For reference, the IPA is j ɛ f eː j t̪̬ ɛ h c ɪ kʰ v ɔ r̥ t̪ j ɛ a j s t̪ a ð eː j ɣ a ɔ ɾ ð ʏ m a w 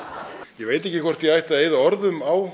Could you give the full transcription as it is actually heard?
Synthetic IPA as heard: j ɛ v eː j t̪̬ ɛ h c ɪ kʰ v ɔ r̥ t̪ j ɛ a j h t̪ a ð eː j ð a ɔ ɾ ð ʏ m a w